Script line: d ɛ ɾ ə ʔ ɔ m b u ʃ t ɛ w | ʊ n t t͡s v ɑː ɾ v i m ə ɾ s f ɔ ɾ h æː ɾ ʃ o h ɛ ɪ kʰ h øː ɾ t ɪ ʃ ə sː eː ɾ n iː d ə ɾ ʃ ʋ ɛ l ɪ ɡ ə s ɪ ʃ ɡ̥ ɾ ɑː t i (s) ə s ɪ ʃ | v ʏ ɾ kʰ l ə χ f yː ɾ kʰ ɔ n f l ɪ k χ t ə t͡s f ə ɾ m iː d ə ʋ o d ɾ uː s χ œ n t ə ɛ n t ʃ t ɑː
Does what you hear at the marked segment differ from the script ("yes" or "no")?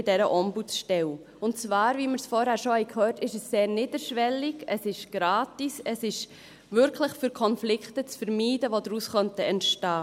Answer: no